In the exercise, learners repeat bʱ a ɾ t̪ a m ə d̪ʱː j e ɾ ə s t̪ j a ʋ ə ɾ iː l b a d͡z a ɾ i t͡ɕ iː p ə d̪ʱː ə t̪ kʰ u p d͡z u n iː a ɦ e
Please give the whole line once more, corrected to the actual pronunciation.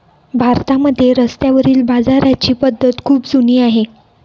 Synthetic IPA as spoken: bʱ a ɾ t̪ a m ə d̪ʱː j e ɾ ə s t̪ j a ʋ ə ɾ iː l b a d͡z a ɾ a t͡ɕ iː p ə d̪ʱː ə t̪ kʰ uː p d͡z u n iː a ɦ e